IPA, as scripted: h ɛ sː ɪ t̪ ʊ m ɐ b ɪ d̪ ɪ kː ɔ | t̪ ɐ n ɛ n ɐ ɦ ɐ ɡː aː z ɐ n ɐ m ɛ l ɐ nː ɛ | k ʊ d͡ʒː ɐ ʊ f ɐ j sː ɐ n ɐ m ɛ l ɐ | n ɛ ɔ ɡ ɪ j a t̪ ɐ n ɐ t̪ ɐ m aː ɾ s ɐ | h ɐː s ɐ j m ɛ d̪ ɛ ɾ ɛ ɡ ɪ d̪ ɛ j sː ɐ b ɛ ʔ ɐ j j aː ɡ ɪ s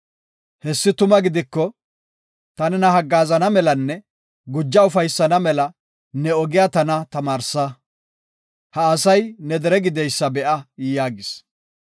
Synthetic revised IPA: h ɛ sː ɪ t̪ ʊ m ɐ ɡ ɪ d̪ ɪ kː ɔ | t̪ ɐ n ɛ n ɐ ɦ ɐ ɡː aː z ɐ n ɐ m ɛ l ɐ nː ɛ | ɡ ʊ d͡ʒː ɐ ʊ f ɐ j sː ɐ n ɐ m ɛ l ɐ | n ɛ ɔ ɡ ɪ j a t̪ ɐ n ɐ t̪ ɐ m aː ɾ s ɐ | h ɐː s ɐ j n ɛ d̪ ɛ ɾ ɛ ɡ ɪ d̪ ɛ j sː ɐ b ɛ ʔ ɐ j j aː ɡ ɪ s